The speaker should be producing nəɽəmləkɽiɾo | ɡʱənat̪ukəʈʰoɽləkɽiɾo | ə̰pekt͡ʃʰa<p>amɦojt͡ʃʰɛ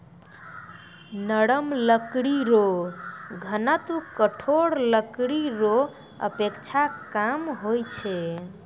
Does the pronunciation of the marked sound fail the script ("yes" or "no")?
yes